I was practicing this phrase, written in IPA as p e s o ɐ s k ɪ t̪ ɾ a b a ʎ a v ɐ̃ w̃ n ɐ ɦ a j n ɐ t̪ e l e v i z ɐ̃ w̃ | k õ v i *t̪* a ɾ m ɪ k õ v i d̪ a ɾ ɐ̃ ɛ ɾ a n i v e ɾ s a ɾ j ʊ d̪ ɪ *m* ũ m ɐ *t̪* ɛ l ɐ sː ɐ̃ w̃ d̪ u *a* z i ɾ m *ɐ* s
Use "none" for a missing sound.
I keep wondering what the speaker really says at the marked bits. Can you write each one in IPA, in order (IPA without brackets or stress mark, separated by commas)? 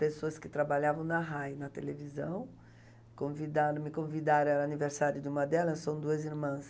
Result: d̪, none, d̪, ɐ, ɐ̃